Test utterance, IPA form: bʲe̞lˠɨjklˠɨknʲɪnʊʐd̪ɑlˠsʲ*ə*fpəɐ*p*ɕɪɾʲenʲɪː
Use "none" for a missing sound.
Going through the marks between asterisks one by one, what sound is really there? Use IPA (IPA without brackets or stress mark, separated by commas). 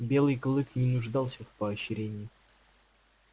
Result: ə, none